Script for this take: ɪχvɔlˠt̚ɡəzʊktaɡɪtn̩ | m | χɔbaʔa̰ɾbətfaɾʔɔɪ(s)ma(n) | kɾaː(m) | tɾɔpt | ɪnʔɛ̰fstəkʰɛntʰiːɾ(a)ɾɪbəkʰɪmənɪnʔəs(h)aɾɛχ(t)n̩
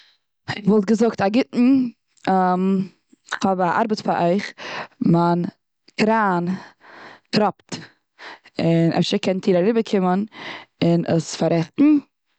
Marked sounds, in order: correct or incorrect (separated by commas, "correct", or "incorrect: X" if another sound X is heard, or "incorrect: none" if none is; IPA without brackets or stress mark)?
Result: incorrect: χ, correct, incorrect: n, correct, incorrect: f, correct